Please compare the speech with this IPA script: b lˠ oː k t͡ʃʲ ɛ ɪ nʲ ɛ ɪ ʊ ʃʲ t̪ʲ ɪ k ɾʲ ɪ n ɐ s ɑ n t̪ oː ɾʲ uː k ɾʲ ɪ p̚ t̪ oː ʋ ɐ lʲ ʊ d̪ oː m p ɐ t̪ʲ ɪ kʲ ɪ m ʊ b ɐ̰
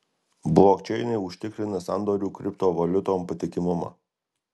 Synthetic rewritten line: b lˠ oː k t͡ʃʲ ɛ ɪ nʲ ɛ ɪ ʊ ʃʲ t̪ʲ ɪ k ɾʲ ɪ n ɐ s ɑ n d̪ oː ɾʲ uː k ɾʲ ɪ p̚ t̪ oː ʋ ɐ lʲ ʊ t̪ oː m p ɐ t̪ʲ ɪ kʲ ɪ m ʊ m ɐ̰